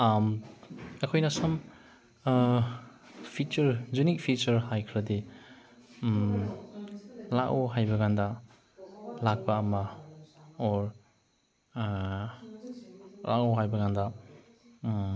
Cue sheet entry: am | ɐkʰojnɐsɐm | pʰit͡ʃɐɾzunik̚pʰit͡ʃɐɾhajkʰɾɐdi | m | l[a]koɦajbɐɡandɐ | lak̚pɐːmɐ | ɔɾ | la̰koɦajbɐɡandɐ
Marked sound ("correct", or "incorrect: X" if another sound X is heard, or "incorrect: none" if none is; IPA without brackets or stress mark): correct